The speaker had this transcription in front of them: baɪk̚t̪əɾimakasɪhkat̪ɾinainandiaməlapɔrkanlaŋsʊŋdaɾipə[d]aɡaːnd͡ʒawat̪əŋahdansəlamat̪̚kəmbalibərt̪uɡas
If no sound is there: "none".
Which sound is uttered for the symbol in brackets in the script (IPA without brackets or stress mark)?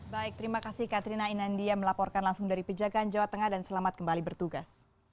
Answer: d͡ʒ